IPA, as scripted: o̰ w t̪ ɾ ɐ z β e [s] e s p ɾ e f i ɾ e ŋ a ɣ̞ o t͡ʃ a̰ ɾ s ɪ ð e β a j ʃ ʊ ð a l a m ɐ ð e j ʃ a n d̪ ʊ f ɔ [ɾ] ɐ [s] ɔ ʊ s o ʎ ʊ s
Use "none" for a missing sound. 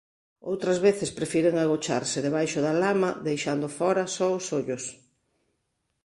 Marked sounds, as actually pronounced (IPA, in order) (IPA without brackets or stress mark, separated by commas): θ, ɾ, s